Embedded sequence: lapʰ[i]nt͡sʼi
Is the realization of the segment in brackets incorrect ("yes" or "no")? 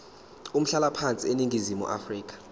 yes